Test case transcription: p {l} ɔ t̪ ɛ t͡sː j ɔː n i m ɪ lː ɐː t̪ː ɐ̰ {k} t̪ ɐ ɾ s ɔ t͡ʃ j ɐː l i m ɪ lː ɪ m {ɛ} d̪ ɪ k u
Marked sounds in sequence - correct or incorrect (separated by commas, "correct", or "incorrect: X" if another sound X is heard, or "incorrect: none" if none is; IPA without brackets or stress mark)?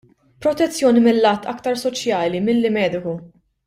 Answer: incorrect: ɾ, correct, incorrect: ɛː